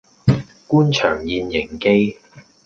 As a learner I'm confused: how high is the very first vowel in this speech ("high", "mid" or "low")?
high